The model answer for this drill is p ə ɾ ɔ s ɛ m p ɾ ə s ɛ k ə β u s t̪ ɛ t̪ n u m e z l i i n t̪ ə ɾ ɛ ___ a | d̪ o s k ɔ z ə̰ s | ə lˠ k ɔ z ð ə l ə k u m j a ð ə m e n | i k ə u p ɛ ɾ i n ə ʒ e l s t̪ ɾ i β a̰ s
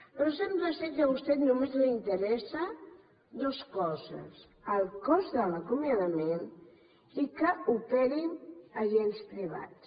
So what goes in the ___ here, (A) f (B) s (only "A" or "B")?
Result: B